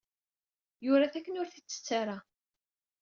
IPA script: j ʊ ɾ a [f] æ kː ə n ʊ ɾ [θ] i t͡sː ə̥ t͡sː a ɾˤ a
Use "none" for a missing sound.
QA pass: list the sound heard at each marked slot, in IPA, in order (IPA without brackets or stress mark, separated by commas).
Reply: θ, θ